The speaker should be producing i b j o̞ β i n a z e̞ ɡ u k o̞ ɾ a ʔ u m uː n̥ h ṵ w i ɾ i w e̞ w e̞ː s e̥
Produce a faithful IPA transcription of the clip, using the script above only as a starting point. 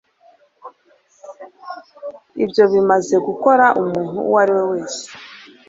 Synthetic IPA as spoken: i b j o̞ β i m a z e̞ ɡ u k o̞ ɾ a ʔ u m uː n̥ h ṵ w a ɾ i w e̞ w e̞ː s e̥